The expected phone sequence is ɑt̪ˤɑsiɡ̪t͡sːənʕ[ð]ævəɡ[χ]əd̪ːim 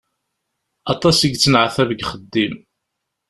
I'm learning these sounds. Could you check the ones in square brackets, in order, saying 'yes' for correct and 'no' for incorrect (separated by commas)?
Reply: no, yes